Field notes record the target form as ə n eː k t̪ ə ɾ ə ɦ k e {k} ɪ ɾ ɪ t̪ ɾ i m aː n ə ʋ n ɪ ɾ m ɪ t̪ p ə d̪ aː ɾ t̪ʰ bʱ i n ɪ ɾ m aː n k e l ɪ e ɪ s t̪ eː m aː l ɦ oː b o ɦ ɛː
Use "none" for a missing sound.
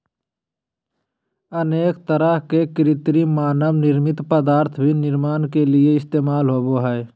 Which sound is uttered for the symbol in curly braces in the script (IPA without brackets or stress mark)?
k